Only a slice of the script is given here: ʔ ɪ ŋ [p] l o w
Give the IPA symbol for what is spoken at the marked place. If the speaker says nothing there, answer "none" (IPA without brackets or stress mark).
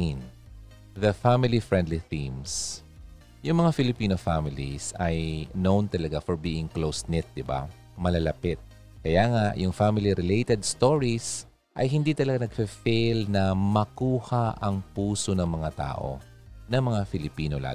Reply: k